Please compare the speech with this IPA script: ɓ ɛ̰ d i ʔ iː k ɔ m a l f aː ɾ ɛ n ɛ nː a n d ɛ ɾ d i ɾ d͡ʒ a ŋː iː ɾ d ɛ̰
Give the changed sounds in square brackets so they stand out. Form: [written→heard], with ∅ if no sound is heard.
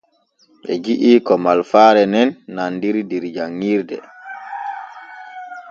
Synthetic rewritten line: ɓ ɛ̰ [d→d͡ʒ] i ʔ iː k ɔ m a l f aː ɾ ɛ n ɛ nː a n d [ɛ→i] ɾ d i ɾ d͡ʒ a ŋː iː ɾ d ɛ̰